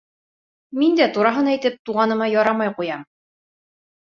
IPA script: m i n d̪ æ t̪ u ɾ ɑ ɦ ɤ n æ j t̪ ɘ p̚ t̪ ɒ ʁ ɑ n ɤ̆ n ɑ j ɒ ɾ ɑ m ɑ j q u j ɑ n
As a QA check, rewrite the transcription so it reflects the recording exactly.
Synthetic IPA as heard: m i n d̪ æ t̪ u ɾ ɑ ɦ ɤ n æ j t̪ ɘ p̚ t̪ u ʁ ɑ n ɤ̆ m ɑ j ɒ ɾ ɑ m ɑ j q u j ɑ m